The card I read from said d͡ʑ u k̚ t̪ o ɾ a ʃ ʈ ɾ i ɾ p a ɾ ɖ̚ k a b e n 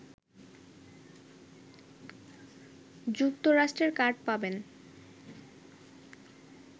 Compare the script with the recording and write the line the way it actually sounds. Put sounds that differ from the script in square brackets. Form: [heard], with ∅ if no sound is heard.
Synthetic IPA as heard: d͡ʑ u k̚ t̪ o ɾ a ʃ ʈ ɾ [e] ɾ [k] a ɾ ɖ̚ [p] a b e n